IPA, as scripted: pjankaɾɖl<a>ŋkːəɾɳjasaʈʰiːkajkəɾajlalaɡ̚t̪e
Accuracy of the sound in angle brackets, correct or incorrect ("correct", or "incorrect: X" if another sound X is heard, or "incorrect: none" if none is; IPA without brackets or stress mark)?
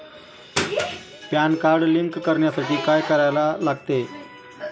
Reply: incorrect: i